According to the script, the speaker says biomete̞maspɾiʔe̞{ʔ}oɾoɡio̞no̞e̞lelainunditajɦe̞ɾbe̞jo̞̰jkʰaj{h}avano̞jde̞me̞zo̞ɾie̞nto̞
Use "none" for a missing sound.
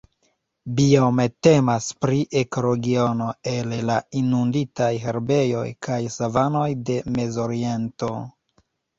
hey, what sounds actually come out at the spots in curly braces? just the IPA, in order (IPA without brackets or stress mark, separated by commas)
k, s